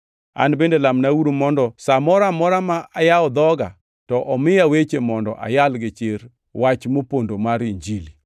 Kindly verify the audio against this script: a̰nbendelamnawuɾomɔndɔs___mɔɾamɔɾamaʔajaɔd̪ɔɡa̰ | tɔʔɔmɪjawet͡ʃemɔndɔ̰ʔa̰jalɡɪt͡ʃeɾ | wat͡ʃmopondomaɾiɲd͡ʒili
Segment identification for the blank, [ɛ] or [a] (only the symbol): a